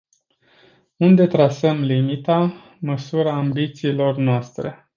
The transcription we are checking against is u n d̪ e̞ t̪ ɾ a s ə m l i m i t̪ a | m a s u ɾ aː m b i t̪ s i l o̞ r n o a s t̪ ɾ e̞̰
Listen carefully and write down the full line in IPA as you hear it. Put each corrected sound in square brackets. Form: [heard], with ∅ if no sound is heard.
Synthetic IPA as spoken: u n d̪ e̞ t̪ ɾ a s ə m l i m i t̪ a | m [ə] s u ɾ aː m b i t̪ s [iː] l o̞ r n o a s t̪ ɾ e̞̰